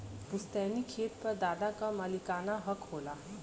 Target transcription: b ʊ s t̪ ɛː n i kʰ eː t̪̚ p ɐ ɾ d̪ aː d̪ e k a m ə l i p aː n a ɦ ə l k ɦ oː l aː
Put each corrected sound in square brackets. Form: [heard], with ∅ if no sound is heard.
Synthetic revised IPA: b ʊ s t̪ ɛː n i kʰ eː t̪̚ p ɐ ɾ d̪ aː d̪ [a] k a m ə l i [k] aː n a ɦ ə [∅] k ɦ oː l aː